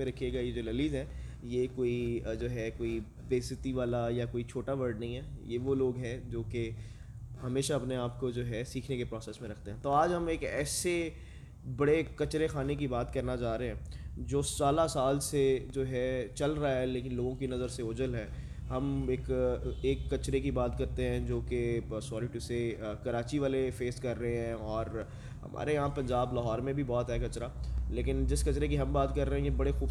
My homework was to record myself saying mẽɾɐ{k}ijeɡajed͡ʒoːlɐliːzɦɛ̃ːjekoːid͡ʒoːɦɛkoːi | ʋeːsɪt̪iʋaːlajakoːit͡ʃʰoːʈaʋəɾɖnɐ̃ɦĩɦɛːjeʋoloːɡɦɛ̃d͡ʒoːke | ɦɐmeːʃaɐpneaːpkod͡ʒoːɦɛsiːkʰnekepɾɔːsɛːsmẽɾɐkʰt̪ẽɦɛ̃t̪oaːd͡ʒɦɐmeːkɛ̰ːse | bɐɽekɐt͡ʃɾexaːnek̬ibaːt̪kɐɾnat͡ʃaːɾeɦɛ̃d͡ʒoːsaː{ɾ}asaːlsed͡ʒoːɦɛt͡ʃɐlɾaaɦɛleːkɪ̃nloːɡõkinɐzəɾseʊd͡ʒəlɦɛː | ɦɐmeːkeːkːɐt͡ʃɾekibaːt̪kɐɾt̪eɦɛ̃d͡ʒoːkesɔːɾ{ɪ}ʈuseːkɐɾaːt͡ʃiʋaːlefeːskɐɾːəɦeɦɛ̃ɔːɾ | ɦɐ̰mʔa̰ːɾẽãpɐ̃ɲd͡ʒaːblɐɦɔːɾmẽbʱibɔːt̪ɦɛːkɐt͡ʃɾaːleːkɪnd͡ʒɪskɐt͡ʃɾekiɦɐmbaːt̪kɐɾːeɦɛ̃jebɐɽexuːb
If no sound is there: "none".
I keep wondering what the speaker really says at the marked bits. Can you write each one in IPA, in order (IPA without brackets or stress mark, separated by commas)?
kʰ, l, i